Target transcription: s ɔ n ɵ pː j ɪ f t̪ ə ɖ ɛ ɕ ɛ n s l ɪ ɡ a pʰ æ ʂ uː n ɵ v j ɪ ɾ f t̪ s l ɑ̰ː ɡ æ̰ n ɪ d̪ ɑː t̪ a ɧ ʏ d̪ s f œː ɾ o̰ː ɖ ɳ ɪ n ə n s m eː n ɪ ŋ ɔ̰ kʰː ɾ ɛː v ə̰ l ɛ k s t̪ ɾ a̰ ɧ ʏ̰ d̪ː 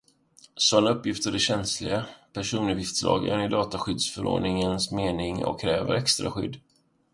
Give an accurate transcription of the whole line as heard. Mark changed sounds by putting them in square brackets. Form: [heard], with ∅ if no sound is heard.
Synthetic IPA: s ɔ n ɵ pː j ɪ f t̪ ə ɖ ɛ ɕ ɛ n s l ɪ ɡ a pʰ æ ʂ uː n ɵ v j ɪ [∅] f t̪ s l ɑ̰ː ɡ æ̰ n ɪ d̪ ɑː t̪ a ɧ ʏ d̪ s f [œ] ɾ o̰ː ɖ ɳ ɪ [ŋ] ə n s m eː n ɪ ŋ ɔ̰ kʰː ɾ ɛː v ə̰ [ɾ] ɛ k s t̪ ɾ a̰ ɧ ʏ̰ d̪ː

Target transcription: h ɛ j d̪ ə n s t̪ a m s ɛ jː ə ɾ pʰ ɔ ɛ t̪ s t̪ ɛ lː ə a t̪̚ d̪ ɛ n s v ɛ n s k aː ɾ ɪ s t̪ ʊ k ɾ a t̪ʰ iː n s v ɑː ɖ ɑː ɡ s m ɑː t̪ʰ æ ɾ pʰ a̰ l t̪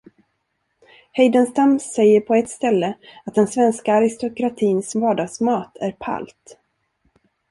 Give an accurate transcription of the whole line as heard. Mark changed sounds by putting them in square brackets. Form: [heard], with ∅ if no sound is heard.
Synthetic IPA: h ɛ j d̪ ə n s t̪ a m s ɛ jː ə ɾ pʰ ɔ ɛ t̪ s t̪ ɛ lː ə a t̪̚ d̪ ɛ n s v ɛ n s k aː ɾ ɪ s t̪ ʊ k ɾ a t̪ʰ iː n s v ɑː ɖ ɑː ɡ s m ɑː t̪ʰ æ ɾ pʰ a̰ l t̪

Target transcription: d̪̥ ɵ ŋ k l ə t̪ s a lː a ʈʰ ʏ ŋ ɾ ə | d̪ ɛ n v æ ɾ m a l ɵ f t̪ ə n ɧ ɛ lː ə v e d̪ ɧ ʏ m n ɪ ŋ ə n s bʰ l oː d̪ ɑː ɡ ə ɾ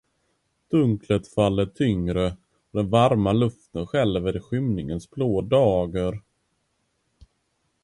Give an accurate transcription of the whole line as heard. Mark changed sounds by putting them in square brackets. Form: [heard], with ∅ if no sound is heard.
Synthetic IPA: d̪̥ ɵ ŋ k l ə t̪ [f] a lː [ə] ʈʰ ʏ ŋ ɾ ə | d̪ ɛ n v [a] ɾ m a l ɵ f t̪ ə n ɧ ɛ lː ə v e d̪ ɧ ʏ m n ɪ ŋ ə n s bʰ l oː d̪ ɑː ɡ ə ɾ

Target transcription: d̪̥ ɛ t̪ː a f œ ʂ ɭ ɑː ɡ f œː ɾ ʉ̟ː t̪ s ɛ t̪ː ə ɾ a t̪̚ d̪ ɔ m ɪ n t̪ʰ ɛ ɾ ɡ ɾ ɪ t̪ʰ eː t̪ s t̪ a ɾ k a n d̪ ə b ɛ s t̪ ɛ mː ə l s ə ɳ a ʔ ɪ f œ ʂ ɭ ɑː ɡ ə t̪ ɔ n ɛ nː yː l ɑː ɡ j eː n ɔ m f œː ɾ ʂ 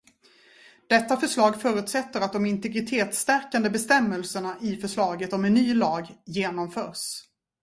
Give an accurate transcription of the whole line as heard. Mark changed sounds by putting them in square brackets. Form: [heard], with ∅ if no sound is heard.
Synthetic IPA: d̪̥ ɛ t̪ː a f œ ʂ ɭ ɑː ɡ f œː ɾ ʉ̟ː t̪ s ɛ t̪ː ə ɾ a t̪̚ d̪ ɔ m ɪ n [t̪] ɛ [∅] ɡ ɾ ɪ t̪ʰ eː t̪ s t̪ [æ] ɾ k a n d̪ ə b ɛ s t̪ ɛ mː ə l s ə ɳ a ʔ ɪ f œ ʂ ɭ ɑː ɡ ə t̪ ɔ [m] ɛ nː yː l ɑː ɡ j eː n ɔ m f œː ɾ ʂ

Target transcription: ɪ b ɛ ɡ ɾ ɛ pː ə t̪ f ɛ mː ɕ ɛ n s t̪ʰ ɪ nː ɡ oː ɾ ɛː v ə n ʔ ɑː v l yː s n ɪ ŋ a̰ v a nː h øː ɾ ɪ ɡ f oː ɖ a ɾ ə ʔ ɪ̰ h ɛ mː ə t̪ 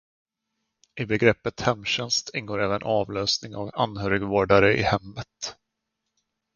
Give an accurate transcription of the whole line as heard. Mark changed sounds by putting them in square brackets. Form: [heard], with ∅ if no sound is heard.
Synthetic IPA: ɪ b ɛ ɡ ɾ ɛ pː ə t̪ [h] ɛ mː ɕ ɛ n s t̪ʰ ɪ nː ɡ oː ɾ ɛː v ə n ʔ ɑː v l [øː] s n ɪ ŋ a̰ v a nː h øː ɾ ɪ ɡ [v] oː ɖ a ɾ ə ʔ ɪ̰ h ɛ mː ə t̪

